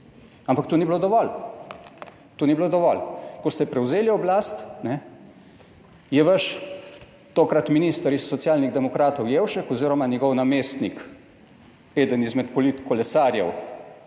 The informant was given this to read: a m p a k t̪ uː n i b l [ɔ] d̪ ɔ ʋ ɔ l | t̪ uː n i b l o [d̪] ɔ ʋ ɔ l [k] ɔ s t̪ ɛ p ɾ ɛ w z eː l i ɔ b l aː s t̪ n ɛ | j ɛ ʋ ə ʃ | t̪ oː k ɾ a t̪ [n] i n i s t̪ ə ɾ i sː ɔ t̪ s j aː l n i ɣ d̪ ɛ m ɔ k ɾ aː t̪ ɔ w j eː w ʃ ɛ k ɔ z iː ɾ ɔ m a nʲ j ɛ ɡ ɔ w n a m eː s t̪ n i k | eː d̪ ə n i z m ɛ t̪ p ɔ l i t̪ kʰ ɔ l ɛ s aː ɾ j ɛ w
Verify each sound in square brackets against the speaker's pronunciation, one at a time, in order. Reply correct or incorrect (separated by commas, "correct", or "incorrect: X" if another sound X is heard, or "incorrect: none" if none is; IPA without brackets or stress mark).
incorrect: o, correct, correct, incorrect: m